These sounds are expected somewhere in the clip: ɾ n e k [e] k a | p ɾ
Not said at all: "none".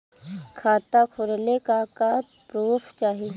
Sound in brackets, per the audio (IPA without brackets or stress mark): a